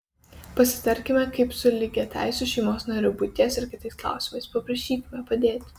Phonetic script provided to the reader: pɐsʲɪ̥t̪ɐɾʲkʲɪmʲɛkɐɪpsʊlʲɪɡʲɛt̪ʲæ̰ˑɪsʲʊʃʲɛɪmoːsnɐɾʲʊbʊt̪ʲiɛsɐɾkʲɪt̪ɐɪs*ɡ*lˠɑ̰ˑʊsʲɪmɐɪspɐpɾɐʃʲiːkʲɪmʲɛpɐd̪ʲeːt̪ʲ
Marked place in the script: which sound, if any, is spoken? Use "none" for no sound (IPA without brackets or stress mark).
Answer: k